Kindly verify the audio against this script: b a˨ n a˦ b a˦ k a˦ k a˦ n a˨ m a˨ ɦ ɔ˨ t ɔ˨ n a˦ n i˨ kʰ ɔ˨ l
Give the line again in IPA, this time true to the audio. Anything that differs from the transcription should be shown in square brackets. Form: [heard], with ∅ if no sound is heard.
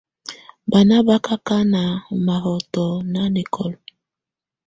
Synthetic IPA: b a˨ n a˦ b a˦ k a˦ k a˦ n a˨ m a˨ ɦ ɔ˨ t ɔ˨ n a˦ n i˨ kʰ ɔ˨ l